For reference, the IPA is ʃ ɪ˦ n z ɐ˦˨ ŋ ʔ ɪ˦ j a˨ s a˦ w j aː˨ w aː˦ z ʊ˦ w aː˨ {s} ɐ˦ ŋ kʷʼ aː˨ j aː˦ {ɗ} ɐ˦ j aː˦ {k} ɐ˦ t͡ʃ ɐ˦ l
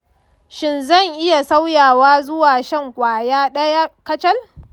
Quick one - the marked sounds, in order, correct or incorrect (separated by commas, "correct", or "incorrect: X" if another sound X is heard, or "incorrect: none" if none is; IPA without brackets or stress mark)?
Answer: incorrect: ʃ, correct, correct